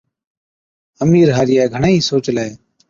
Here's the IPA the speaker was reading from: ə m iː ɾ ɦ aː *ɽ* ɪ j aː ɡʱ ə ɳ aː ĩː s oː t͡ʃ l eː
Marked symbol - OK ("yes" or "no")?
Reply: no